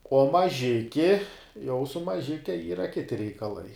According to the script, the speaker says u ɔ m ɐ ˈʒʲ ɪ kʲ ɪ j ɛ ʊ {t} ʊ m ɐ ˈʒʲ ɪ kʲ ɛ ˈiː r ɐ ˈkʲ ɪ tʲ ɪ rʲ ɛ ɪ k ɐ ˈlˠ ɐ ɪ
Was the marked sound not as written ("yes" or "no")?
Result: yes